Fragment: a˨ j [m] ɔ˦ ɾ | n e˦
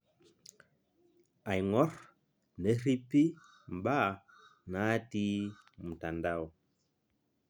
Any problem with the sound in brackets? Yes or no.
yes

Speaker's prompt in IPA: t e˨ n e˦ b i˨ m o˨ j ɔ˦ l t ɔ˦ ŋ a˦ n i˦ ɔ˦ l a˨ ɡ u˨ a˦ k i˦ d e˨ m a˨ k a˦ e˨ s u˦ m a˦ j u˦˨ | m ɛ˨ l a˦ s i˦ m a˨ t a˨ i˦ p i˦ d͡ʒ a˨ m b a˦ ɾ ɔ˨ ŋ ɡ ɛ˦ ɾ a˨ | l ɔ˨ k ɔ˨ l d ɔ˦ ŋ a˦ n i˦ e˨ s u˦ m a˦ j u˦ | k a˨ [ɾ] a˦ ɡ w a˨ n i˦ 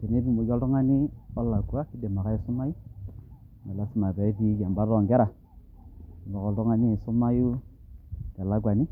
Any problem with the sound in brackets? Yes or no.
yes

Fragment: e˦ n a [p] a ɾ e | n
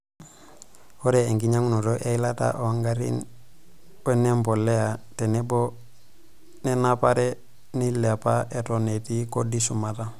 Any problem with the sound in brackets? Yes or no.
no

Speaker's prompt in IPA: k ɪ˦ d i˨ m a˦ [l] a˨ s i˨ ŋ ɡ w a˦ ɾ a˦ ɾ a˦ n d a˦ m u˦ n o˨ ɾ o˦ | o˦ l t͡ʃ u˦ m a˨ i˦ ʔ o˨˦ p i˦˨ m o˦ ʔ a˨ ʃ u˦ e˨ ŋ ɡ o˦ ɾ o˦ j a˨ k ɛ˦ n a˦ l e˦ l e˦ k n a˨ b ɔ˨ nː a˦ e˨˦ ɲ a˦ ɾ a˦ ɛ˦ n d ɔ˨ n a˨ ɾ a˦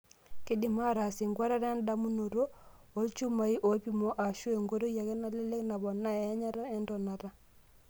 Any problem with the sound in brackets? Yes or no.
yes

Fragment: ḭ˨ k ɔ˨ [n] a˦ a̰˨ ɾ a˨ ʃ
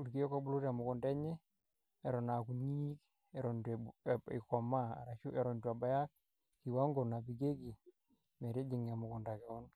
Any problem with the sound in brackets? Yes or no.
yes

